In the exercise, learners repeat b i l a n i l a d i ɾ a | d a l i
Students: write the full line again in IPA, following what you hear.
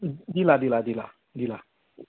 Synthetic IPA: d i l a d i l a d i l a | d i l a